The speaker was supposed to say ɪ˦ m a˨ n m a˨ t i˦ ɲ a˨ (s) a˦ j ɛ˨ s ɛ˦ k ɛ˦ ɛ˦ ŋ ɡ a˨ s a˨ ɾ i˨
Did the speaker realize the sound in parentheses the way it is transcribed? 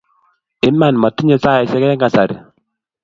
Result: yes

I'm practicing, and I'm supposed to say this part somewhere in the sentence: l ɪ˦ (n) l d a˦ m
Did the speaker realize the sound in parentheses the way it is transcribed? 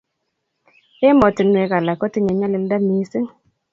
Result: no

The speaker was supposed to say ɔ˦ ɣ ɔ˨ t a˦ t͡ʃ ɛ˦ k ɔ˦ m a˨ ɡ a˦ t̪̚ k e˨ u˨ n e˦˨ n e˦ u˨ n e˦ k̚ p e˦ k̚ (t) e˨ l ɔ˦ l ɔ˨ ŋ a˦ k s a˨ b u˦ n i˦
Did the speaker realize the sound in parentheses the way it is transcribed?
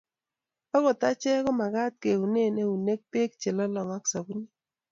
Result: no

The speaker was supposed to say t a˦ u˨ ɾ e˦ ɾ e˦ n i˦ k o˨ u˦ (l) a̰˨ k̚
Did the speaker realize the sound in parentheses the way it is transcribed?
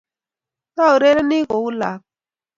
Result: yes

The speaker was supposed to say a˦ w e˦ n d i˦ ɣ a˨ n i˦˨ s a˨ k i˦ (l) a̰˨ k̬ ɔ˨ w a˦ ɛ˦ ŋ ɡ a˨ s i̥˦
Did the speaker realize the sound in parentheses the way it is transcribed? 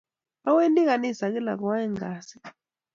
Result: yes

